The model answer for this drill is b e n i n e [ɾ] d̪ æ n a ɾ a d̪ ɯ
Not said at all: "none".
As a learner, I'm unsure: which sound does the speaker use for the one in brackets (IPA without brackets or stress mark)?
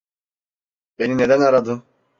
none